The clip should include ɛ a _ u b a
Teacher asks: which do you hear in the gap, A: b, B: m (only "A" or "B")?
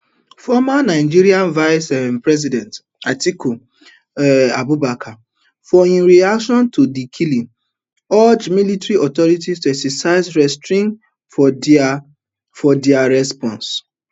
A